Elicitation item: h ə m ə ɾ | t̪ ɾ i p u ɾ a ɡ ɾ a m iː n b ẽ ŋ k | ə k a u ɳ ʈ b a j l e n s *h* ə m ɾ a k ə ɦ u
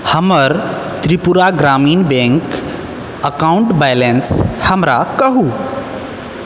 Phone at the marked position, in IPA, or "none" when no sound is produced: h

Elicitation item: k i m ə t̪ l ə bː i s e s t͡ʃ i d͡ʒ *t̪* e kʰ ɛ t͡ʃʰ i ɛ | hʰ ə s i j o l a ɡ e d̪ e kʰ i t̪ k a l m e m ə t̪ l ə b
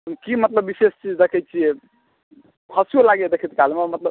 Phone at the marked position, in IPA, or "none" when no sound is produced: d̪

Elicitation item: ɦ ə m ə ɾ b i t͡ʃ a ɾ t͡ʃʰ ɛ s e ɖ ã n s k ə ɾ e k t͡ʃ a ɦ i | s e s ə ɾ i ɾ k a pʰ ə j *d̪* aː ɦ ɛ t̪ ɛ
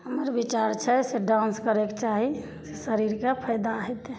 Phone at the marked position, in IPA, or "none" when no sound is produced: d̪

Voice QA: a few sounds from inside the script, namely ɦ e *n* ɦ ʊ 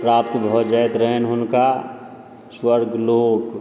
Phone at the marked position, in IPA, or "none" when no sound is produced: n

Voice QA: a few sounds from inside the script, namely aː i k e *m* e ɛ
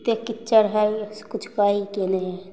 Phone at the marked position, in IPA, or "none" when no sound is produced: n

